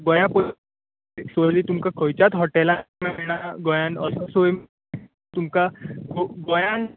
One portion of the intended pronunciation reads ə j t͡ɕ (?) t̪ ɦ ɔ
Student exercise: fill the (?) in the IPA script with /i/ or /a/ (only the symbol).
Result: a